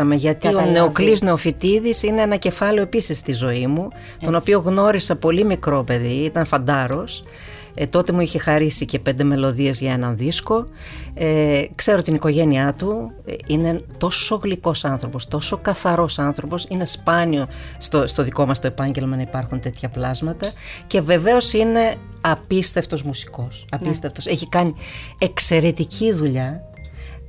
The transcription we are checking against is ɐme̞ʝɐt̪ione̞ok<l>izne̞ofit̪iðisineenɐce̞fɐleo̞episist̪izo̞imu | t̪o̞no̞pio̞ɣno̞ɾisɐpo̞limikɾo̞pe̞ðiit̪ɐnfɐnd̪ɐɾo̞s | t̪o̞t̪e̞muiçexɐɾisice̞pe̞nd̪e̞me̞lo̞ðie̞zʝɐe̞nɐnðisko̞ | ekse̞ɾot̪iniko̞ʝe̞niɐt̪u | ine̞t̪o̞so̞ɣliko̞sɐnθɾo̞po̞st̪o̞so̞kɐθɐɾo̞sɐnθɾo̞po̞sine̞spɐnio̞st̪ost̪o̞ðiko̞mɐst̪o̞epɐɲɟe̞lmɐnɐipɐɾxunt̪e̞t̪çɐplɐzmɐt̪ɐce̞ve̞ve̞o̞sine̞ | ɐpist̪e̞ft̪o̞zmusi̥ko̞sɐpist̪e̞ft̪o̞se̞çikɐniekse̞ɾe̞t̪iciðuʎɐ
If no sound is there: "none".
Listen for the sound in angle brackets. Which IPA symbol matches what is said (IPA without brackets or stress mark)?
l